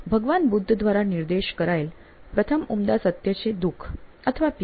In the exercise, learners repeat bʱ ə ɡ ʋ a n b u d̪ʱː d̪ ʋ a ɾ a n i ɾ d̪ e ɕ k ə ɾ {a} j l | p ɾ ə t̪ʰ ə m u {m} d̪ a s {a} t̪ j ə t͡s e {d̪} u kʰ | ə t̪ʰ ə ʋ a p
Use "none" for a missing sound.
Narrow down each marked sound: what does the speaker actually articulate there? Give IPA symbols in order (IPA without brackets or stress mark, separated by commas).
a, m, ə, d̪